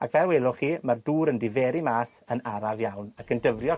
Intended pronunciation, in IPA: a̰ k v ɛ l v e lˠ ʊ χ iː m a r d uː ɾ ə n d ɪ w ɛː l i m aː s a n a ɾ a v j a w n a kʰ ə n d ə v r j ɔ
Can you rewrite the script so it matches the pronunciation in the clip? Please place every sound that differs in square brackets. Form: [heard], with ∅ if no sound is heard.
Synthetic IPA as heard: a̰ k v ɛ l [w] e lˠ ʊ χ iː m a r d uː ɾ ə n d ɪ [v] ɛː [ɾ] i m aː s [ə] n a ɾ a v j a w n a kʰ ə n d ə v r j ɔ